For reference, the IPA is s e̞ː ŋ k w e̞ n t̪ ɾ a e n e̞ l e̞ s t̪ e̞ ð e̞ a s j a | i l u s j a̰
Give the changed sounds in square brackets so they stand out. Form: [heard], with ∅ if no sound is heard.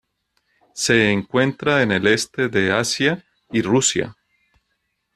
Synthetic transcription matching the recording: s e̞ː ŋ k w e̞ n t̪ ɾ a e n e̞ l e̞ s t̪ e̞ ð e̞ a s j a | i [r] u s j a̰